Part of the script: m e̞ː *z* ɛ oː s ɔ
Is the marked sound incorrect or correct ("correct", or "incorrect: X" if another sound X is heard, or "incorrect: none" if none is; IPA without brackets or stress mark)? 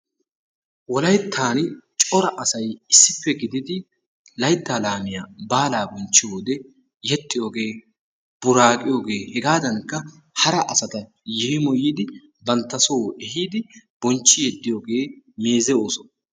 correct